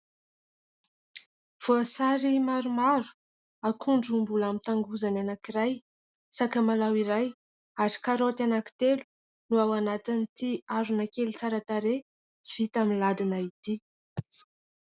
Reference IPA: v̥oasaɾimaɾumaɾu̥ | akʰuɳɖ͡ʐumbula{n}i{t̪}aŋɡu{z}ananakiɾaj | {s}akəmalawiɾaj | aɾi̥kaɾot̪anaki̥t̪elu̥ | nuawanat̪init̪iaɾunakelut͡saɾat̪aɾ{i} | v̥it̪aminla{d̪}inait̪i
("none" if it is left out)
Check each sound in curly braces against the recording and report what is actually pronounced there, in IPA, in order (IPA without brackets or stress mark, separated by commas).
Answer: m, t̪, z, s, e, d̪